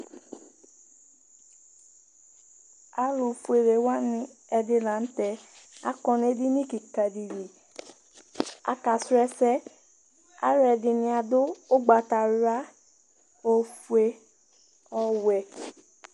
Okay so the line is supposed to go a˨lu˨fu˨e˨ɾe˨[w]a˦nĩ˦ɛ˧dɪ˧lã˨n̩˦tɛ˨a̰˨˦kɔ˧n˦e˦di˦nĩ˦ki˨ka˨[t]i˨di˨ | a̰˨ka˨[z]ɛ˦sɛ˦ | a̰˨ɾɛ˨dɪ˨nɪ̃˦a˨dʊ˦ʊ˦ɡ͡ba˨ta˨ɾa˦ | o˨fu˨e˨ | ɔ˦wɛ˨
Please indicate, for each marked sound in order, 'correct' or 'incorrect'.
correct, incorrect, incorrect

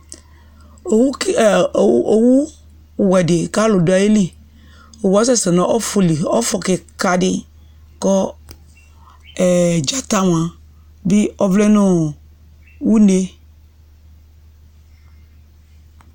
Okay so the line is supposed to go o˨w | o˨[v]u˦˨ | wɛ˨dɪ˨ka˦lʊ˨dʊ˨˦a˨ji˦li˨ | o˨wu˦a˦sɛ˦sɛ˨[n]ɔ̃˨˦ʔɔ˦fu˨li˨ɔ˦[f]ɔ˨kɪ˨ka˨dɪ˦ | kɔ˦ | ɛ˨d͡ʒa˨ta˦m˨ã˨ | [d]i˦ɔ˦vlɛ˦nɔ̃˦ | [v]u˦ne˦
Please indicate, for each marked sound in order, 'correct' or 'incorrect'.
incorrect, correct, correct, incorrect, incorrect

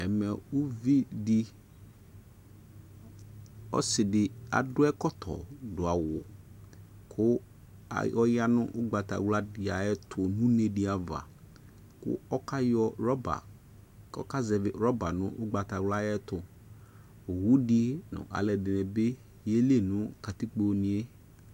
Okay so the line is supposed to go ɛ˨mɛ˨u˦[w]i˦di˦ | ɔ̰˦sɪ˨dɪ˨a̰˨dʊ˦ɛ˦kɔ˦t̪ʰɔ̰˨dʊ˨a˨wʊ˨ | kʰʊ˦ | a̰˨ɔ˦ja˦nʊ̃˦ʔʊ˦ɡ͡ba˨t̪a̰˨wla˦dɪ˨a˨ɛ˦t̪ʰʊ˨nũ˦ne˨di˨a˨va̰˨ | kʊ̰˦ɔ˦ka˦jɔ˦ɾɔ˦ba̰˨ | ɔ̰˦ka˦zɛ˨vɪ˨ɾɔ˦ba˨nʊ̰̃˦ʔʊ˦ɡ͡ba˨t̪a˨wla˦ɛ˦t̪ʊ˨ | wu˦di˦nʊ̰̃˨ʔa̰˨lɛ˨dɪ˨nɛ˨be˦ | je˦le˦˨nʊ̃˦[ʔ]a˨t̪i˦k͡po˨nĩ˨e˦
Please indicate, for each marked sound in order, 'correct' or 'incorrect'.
incorrect, incorrect

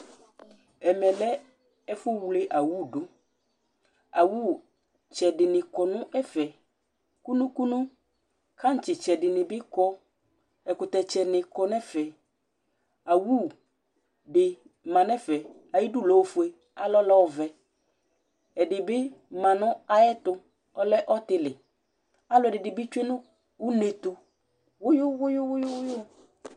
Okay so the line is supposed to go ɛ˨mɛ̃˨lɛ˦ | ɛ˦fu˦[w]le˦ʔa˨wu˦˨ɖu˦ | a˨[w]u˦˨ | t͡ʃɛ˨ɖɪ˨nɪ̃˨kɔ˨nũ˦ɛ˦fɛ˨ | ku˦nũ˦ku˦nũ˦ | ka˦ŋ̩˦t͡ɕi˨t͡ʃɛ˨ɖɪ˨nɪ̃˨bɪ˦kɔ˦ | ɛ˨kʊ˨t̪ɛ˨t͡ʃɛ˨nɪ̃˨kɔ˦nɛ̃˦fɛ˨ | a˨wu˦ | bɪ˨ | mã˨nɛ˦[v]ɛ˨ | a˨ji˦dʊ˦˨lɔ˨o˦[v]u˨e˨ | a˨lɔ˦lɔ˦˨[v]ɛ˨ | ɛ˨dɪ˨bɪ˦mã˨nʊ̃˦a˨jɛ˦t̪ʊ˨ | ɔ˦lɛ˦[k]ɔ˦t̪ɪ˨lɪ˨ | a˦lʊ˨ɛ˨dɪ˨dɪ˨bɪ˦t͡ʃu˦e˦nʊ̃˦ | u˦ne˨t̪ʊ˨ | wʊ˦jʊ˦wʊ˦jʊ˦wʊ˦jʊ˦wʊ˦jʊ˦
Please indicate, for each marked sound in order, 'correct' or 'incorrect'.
correct, correct, incorrect, incorrect, correct, incorrect

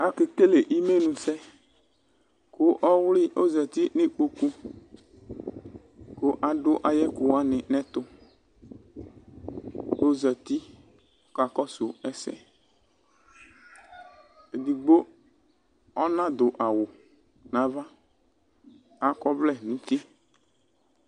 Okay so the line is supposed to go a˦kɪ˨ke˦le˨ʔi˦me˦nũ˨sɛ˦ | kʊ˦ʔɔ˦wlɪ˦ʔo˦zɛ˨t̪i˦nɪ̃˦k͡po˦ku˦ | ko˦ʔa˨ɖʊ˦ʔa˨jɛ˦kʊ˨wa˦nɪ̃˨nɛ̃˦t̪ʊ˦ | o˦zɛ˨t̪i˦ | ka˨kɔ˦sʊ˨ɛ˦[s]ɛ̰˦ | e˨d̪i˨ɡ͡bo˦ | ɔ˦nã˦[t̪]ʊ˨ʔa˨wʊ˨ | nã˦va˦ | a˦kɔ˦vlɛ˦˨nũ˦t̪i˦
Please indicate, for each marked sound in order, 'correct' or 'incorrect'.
correct, incorrect

